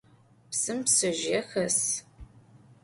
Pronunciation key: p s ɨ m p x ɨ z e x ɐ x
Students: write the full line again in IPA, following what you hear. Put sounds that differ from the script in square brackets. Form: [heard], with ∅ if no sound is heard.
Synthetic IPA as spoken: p s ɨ m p [s] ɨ [ʒ] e x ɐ [s]